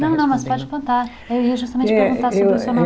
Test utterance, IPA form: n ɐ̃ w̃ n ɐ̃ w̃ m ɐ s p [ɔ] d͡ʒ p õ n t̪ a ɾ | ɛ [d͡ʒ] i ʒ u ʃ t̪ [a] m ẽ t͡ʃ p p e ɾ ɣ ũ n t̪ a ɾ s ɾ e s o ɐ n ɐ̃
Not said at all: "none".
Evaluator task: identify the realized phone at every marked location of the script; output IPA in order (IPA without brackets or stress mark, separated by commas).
ɔ, none, ɐ